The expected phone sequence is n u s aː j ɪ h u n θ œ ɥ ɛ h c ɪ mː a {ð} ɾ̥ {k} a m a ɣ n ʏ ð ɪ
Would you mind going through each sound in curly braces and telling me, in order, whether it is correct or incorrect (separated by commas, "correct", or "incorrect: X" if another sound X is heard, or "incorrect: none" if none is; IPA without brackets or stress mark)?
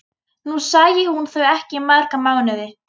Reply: correct, correct